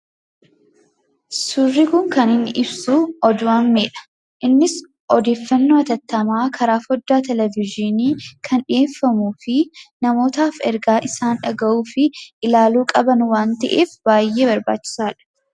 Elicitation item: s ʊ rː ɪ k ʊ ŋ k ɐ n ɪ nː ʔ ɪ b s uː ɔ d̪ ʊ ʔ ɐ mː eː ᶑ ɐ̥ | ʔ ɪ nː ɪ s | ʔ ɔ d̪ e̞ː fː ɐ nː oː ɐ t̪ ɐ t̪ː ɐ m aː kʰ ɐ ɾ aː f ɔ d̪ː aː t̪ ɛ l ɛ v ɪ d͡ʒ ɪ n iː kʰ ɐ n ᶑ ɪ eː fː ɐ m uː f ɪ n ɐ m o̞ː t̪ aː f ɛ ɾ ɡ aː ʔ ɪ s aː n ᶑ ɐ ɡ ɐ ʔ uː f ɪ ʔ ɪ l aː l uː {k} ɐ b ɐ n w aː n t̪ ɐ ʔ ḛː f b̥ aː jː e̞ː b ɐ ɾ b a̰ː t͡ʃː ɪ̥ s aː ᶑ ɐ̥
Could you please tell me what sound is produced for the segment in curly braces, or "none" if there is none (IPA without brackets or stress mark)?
kʼ